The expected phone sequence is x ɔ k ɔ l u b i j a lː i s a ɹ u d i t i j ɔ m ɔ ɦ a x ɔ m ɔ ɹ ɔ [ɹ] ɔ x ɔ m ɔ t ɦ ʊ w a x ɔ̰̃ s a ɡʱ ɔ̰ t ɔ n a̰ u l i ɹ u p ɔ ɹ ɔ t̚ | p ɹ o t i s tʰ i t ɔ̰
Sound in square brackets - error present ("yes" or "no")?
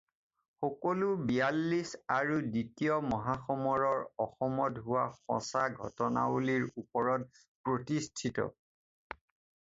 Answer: no